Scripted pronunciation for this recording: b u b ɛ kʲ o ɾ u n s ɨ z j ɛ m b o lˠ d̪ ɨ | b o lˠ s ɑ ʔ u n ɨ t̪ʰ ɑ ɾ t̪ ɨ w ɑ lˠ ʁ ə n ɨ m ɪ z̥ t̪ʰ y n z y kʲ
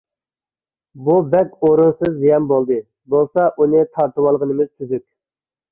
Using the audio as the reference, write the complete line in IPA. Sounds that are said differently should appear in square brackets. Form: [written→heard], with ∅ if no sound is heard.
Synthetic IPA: b u b ɛ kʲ o ɾ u n s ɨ z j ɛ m b o lˠ d̪ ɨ | b o lˠ s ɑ ʔ u n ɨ t̪ʰ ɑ ɾ t̪ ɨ w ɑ lˠ ʁ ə n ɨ m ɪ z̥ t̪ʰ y [n→∅] z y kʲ